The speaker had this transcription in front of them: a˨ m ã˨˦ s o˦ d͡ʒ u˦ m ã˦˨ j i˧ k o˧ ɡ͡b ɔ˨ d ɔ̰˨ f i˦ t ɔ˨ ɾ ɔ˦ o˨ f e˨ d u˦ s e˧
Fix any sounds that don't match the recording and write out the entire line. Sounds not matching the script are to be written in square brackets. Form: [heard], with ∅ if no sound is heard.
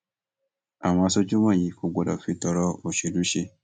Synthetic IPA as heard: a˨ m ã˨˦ s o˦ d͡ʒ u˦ m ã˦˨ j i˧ k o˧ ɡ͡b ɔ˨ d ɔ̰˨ f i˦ t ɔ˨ ɾ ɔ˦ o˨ [ʃ] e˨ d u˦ [ʃ] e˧